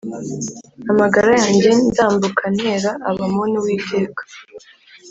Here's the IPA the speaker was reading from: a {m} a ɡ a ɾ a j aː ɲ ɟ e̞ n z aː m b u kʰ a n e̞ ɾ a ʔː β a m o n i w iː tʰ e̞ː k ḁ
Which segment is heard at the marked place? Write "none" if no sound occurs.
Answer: m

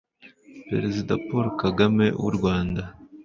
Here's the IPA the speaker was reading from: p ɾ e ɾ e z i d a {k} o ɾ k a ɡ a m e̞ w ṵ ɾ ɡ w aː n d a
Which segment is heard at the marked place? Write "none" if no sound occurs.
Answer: p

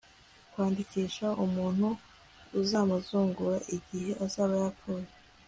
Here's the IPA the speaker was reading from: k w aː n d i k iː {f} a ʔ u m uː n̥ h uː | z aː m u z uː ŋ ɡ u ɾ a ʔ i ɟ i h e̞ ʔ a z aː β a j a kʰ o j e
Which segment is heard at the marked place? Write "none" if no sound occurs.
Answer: ʃ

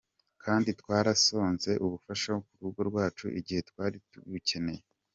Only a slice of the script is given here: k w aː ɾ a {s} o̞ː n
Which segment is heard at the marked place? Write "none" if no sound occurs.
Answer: s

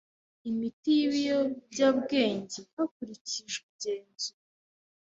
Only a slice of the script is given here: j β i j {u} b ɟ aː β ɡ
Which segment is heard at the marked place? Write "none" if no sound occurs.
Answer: o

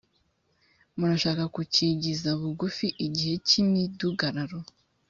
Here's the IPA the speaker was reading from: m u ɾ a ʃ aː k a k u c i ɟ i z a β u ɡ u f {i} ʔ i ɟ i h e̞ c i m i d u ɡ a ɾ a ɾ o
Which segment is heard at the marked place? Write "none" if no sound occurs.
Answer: i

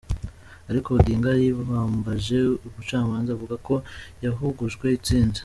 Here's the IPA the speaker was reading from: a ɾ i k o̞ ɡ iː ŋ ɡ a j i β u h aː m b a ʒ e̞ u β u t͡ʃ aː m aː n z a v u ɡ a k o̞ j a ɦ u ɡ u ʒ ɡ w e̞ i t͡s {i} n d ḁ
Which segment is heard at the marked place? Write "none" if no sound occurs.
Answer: iː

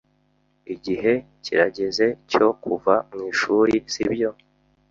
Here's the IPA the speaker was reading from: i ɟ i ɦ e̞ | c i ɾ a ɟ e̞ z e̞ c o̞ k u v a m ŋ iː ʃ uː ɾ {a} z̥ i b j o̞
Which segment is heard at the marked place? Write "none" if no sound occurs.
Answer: i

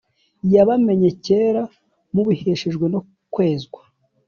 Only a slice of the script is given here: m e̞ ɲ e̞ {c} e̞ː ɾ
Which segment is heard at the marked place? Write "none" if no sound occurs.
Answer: c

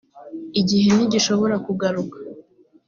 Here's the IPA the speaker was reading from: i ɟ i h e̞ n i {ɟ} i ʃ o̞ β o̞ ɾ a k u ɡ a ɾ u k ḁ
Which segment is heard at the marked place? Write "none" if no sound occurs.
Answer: ɟ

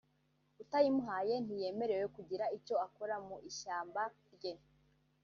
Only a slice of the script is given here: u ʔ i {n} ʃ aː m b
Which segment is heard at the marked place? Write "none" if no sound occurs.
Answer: none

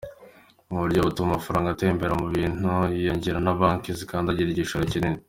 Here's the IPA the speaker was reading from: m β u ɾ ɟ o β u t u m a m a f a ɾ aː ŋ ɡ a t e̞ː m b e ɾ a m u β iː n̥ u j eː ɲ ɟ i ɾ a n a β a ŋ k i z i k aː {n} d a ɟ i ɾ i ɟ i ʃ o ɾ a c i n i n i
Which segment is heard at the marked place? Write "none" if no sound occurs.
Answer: n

